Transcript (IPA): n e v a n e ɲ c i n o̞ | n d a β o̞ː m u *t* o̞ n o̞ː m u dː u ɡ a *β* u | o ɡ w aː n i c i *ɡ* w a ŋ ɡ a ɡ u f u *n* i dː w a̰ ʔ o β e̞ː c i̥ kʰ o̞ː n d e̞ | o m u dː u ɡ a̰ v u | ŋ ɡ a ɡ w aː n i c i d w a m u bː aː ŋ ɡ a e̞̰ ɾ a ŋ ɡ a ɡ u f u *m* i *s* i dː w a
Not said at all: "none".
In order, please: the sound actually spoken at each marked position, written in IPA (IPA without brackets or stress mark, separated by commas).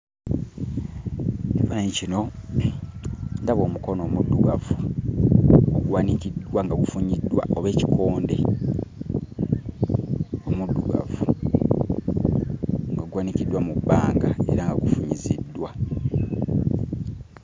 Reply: k, v, d, ɲ, ɲ, z